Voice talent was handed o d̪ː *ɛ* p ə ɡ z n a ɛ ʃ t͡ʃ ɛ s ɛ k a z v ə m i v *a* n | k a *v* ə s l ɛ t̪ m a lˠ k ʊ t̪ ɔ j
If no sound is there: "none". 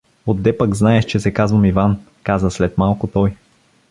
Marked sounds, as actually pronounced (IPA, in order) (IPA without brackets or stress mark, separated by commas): ɛ, a, z